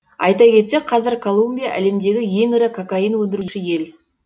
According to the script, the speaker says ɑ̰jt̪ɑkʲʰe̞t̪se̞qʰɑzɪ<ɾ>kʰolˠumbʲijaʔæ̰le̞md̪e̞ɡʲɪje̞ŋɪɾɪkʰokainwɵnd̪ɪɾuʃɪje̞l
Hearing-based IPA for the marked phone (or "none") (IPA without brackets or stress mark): ɾ